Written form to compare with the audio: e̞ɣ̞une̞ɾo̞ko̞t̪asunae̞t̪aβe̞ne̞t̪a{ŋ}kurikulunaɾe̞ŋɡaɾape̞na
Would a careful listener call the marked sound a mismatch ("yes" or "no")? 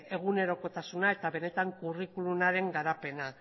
no